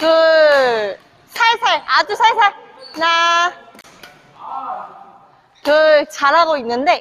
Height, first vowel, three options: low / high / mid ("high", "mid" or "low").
high